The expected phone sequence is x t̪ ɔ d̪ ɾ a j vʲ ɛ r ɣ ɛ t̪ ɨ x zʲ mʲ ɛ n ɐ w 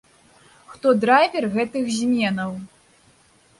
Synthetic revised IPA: x t̪ ɔ d̪ ɾ a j vʲ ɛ r ɣ ɛ t̪ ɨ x zʲ mʲ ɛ n ɐ w